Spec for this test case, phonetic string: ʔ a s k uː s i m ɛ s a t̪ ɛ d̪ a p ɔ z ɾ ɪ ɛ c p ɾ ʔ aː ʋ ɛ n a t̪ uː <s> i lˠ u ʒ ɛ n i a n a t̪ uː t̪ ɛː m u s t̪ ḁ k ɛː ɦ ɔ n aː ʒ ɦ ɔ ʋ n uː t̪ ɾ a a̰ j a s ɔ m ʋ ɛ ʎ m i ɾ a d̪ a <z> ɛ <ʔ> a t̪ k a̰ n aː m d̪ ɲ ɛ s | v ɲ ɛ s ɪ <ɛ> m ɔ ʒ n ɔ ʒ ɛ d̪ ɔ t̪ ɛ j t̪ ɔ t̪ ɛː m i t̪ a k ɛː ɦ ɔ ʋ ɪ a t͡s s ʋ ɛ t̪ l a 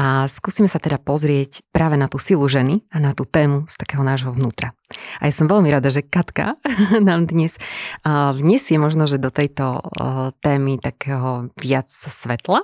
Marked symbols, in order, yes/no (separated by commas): yes, no, no, yes